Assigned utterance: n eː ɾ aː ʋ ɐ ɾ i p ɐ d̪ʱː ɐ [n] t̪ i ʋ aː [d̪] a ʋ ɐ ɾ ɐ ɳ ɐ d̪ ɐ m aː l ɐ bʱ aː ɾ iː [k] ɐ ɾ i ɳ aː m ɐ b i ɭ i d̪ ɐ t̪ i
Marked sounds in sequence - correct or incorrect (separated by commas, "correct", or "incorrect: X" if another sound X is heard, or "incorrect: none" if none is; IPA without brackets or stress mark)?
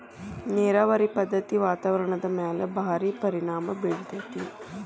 incorrect: none, incorrect: t̪, incorrect: p